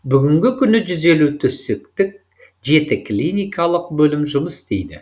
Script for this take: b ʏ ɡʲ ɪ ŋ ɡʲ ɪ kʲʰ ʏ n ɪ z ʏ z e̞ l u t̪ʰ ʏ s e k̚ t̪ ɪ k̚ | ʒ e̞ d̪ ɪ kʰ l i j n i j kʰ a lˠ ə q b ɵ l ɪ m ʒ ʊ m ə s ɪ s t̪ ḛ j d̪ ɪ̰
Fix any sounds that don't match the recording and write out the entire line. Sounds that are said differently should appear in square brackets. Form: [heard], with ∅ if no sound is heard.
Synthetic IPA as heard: b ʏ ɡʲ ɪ ŋ ɡʲ ɪ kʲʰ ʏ n ɪ [ʒ] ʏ z e̞ l u t̪ʰ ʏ s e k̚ t̪ ɪ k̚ | ʒ e̞ [t̪] ɪ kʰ l i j n i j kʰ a lˠ ə q b ɵ l ɪ m ʒ ʊ m ə s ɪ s t̪ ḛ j d̪ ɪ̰